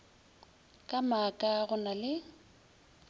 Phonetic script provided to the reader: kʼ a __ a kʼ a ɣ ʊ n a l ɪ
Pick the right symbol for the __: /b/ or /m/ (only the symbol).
m